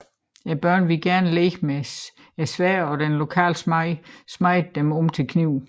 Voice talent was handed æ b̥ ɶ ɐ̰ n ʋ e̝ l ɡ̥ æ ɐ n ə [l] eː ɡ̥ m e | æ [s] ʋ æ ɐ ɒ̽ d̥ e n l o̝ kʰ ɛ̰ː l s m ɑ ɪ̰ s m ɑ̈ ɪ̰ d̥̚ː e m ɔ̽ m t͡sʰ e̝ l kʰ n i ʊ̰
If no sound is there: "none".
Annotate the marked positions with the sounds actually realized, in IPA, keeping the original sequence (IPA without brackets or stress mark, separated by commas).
l, s